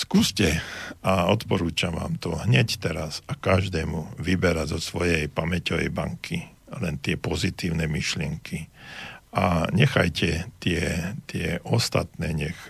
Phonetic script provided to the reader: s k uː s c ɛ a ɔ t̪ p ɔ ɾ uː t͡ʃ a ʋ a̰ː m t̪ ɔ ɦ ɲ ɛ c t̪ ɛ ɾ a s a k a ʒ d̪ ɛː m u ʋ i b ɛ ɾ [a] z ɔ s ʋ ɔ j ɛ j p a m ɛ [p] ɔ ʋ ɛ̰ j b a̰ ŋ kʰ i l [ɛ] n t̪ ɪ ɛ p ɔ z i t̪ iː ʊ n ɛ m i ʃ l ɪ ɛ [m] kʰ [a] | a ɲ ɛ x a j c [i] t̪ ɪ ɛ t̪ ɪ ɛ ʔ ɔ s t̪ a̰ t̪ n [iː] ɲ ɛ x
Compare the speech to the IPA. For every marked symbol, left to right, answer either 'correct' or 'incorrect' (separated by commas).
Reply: correct, incorrect, correct, incorrect, incorrect, incorrect, incorrect